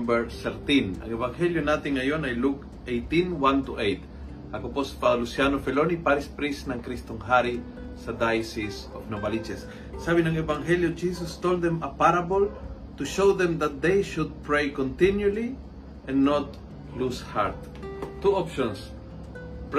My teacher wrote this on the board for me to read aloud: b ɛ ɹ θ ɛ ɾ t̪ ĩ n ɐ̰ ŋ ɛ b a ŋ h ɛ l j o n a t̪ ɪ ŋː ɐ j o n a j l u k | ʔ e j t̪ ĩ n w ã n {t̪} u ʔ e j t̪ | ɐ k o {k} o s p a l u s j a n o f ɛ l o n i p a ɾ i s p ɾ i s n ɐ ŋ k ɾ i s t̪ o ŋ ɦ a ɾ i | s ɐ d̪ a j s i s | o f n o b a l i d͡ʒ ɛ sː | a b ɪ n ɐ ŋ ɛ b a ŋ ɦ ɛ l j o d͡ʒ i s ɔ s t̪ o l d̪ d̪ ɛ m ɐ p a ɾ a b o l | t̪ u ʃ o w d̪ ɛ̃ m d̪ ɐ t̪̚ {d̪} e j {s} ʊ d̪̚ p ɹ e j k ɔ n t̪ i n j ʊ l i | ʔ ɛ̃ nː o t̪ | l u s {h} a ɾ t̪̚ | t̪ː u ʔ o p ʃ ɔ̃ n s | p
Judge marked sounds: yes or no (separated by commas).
yes, no, yes, no, yes